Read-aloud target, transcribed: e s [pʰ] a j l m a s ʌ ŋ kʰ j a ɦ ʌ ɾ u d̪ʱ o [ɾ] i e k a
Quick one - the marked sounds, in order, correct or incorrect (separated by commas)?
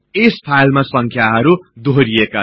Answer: correct, correct